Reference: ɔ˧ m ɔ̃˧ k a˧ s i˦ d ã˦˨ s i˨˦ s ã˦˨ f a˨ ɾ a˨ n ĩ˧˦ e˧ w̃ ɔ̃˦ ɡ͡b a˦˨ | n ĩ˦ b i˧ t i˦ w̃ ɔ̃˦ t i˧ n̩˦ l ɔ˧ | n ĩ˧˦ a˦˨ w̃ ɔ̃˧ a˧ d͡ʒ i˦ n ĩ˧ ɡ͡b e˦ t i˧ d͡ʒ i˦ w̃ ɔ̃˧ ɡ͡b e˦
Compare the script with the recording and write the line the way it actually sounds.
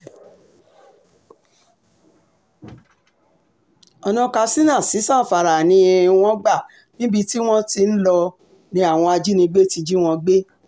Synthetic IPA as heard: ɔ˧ n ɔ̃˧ k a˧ s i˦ n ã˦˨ s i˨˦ s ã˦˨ f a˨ ɾ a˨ n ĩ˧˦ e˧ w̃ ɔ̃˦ ɡ͡b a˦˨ | n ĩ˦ b i˧ t i˦ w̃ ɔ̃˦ t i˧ n̩˦ l ɔ˧ | n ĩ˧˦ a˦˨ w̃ ɔ̃˧ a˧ d͡ʒ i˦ n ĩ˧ ɡ͡b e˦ t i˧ d͡ʒ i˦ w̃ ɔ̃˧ ɡ͡b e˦